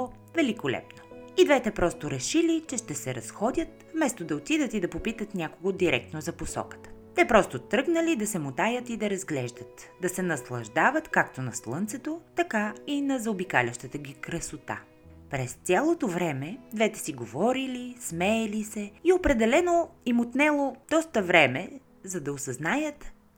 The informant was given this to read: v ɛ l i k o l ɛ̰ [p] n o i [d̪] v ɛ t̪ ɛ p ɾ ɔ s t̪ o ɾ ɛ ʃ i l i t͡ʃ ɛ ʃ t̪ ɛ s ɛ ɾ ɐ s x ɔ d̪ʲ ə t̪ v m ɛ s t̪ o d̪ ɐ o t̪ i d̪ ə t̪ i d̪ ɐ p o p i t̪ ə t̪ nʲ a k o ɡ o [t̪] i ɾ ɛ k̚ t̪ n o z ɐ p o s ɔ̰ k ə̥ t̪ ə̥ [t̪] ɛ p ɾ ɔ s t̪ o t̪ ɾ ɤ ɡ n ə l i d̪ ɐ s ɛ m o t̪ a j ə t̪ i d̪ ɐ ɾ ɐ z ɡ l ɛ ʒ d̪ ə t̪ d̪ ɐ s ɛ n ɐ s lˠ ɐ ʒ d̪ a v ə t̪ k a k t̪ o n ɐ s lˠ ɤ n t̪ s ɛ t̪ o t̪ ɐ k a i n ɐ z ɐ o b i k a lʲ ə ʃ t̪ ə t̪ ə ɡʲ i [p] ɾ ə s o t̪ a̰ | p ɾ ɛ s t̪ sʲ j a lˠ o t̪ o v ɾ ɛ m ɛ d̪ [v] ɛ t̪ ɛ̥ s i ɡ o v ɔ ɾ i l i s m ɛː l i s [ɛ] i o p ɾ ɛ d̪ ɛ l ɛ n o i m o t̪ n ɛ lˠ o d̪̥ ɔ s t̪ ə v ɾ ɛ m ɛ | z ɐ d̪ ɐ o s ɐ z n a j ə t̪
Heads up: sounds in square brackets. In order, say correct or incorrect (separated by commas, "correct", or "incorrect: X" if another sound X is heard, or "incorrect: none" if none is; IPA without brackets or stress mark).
correct, correct, incorrect: d̪, correct, incorrect: k, correct, correct